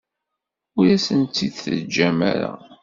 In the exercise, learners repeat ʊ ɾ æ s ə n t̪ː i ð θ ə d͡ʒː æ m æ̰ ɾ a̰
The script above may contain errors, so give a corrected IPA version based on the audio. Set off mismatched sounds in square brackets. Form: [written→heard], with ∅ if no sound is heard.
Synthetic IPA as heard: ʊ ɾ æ s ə n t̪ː i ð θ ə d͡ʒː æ m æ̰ ɾ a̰

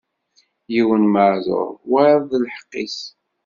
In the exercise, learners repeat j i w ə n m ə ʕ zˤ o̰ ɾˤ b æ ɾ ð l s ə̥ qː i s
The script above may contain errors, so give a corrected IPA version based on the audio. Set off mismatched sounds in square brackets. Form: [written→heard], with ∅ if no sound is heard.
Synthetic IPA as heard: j i w ə n m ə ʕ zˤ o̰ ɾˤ [b→w] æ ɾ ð l [s→ħ] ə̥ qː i s

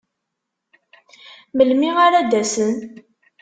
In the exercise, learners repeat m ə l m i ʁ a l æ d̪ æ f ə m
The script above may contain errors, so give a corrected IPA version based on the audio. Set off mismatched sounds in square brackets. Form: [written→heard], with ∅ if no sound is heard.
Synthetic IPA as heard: m ə l m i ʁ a [l→ɾ] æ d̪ æ [f→s] ə [m→n]

